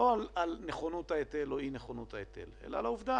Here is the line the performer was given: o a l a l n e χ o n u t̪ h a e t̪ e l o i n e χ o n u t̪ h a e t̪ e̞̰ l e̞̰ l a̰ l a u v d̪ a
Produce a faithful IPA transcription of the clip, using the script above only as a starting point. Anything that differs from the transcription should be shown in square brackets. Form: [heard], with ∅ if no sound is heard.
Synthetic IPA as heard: o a l a l n e χ o n u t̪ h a e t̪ e l o i n e χ o n u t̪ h a e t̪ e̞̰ l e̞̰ l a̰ l a u v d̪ a